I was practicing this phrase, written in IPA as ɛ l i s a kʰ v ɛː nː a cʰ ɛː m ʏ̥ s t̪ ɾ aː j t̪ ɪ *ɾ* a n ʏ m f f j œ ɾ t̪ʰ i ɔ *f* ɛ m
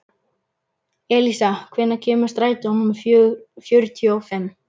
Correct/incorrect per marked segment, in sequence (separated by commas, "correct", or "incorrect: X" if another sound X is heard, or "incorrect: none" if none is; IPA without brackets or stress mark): incorrect: none, correct